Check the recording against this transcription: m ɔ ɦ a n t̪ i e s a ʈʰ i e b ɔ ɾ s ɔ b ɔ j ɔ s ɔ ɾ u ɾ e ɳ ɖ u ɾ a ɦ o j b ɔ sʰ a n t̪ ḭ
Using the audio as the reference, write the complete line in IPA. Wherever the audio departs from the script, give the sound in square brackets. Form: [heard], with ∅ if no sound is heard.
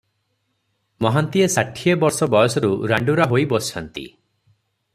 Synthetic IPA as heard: m ɔ ɦ a n t̪ i e s a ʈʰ i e b ɔ ɾ s ɔ b ɔ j ɔ s ɔ ɾ u ɾ [a] ɳ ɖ u ɾ a ɦ o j b ɔ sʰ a n t̪ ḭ